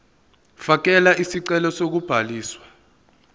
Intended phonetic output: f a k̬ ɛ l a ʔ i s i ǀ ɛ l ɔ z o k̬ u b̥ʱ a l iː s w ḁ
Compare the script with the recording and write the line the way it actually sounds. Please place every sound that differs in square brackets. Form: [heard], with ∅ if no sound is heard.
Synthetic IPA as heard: f a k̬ ɛ l a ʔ i s i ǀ ɛ l ɔ [s] o k̬ u b̥ʱ a l iː s w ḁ